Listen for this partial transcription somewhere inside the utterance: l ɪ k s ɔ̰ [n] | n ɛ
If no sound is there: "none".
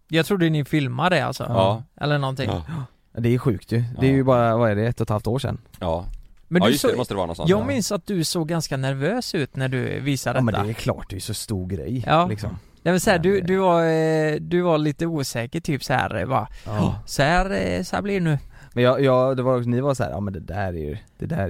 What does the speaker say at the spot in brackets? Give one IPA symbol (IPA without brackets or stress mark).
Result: m